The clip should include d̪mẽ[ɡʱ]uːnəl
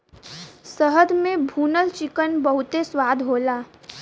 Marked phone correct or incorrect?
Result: incorrect